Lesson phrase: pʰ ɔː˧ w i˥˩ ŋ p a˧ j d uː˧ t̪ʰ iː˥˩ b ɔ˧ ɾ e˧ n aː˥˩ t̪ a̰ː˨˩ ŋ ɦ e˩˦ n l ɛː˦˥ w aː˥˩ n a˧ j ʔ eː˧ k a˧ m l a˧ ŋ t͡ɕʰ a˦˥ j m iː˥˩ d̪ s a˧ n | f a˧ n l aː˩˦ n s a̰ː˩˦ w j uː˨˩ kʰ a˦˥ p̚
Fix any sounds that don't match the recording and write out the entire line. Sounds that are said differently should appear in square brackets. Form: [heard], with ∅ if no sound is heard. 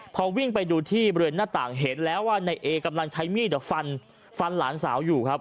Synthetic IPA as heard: pʰ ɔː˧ w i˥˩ ŋ p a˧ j d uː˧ t̪ʰ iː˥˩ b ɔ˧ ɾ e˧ n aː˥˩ t̪ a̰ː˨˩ ŋ ɦ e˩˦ n l ɛː˦˥ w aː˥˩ n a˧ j ʔ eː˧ k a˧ m l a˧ ŋ t͡ɕʰ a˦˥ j m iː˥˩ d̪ [f] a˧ n | f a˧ n l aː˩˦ n s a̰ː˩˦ w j uː˨˩ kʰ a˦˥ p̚